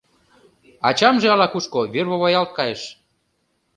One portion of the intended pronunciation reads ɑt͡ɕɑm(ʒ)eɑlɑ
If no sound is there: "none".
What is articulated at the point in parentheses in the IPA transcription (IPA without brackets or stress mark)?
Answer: ʒ